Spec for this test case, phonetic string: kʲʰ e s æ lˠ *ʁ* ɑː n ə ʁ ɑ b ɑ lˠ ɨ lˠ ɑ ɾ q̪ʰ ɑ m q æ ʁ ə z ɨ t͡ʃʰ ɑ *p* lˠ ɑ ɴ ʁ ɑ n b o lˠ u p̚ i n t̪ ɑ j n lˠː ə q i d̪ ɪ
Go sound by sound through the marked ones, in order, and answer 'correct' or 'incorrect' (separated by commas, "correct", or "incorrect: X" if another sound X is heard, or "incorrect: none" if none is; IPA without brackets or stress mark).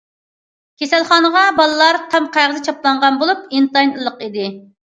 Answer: incorrect: χ, correct